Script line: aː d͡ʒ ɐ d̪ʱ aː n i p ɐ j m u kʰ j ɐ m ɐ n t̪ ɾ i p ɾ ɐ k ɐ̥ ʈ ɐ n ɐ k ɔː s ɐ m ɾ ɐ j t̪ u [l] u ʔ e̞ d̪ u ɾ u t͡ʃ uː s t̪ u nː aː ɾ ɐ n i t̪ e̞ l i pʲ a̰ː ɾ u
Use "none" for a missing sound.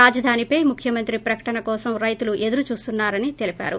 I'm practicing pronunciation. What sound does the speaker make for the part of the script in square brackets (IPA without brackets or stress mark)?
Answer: l